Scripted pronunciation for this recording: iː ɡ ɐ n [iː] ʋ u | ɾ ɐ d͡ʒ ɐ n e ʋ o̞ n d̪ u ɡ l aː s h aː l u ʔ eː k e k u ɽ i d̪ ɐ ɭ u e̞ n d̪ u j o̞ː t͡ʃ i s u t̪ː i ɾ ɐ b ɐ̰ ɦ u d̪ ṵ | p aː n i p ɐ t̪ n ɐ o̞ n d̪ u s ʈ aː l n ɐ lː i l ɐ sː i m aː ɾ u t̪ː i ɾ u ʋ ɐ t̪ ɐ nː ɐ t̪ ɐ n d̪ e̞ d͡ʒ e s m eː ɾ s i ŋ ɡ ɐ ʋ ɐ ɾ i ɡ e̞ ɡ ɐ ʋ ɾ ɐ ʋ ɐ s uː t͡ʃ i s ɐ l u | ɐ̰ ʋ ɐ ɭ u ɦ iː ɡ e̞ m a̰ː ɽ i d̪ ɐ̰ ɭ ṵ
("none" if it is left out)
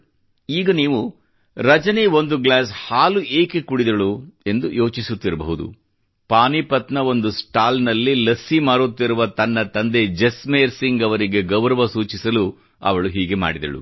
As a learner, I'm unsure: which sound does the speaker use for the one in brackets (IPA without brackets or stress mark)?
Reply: iː